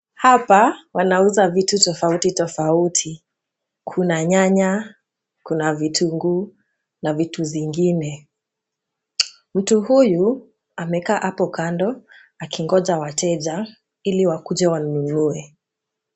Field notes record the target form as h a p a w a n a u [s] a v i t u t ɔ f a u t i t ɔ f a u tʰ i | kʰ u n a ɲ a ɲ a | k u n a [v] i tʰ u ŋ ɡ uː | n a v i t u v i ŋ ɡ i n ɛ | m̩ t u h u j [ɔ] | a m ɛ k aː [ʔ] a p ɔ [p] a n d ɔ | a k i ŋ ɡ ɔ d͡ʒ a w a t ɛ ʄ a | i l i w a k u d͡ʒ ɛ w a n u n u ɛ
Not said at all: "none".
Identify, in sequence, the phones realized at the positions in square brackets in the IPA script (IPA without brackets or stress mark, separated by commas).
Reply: z, v, u, ʔ, k